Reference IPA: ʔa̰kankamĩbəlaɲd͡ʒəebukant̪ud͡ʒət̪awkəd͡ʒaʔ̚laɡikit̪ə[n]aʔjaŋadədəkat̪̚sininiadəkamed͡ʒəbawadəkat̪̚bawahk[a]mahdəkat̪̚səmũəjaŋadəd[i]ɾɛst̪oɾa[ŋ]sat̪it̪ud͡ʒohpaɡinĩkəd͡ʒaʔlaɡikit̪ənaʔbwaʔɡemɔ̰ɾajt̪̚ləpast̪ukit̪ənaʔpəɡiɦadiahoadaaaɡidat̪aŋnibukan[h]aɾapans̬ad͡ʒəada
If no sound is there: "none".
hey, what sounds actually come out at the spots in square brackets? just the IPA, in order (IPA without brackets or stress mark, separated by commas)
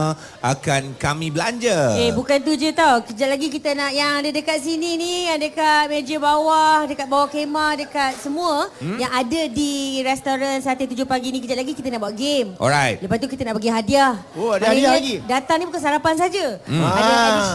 n, e, i, n, s